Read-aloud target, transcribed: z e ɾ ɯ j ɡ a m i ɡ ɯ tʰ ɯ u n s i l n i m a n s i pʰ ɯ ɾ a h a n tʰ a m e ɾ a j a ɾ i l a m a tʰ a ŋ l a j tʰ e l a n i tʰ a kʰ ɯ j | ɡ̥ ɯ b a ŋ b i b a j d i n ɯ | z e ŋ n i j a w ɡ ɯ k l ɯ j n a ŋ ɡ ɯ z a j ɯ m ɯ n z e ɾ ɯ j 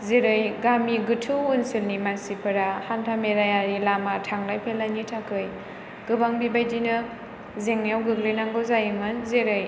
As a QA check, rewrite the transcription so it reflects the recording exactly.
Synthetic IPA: z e ɾ ɯ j ɡ a m i ɡ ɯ tʰ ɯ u n s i l n i m a n s i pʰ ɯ ɾ a h a n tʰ a m e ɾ a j a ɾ i l a m a tʰ a ŋ l a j pʰ e l a n i tʰ a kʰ ɯ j | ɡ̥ ɯ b a ŋ b i b a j d i n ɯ | z e ŋ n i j a w ɡ ɯ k l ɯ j n a ŋ ɡ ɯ z a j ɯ m ɯ n z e ɾ ɯ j